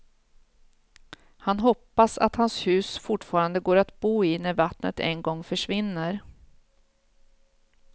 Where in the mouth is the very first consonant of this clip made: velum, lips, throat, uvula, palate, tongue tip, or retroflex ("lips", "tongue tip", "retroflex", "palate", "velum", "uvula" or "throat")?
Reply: throat